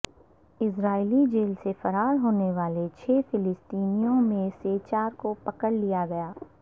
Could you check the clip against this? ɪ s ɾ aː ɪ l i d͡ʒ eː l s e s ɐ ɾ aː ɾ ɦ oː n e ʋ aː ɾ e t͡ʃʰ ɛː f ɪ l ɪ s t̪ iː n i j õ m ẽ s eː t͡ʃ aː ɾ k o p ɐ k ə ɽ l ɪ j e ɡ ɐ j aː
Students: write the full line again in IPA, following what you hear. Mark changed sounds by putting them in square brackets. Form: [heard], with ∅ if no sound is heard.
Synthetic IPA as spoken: ɪ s ɾ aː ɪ l i d͡ʒ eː l s e [f] ɐ ɾ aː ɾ ɦ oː n e ʋ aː [l] e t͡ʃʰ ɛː f ɪ l ɪ s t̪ iː n i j õ m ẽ s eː t͡ʃ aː ɾ k o p ɐ k ə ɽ l [i] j [a] ɡ ɐ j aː